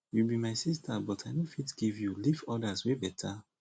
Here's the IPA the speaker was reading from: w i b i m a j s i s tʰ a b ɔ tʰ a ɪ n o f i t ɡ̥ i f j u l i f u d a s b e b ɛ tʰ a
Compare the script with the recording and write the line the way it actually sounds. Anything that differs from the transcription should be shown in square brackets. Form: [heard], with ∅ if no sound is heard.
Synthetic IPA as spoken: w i b i m a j s i s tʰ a b ɔ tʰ a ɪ n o f i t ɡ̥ i [v] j u l i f [ɔ] d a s [w] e b ɛ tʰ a

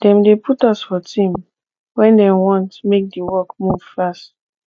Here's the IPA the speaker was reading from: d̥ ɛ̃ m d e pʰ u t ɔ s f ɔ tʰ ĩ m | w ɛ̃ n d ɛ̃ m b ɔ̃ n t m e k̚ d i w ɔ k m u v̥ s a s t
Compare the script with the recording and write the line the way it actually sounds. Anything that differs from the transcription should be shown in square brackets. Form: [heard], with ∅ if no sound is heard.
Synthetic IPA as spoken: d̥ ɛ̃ m d e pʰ u t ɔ s f ɔ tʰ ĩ m | w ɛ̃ n d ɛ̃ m [w] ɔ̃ n t m e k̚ d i w ɔ k m u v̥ [f] a s t

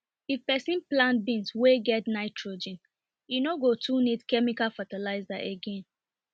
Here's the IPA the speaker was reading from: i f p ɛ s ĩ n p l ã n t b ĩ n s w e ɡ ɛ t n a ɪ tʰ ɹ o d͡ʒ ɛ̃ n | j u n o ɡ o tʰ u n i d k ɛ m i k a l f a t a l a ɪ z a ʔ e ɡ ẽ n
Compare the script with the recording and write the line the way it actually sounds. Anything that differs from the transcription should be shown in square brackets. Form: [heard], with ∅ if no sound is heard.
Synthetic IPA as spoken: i f p ɛ s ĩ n p l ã n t b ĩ n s w e ɡ ɛ t n a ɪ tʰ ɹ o d͡ʒ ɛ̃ n | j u n o ɡ o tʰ u n i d k ɛ m i k a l f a t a l a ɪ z a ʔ e ɡ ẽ n

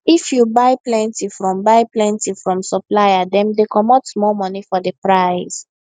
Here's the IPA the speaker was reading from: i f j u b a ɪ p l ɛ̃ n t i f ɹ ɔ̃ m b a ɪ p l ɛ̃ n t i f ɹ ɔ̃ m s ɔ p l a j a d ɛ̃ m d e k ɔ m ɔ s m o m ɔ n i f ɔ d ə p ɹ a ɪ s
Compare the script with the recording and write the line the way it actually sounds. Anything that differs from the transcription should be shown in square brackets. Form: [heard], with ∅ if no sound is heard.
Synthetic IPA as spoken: i f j u b a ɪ p l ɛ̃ n t i f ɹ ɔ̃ m b a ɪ p l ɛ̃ n t i f ɹ ɔ̃ m s ɔ p l a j a d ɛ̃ m d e k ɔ m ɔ [t] m [ɔ] m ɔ n i f ɔ d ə p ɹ a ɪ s

